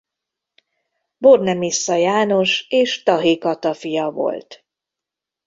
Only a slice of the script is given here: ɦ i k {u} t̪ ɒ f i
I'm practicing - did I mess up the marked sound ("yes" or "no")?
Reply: yes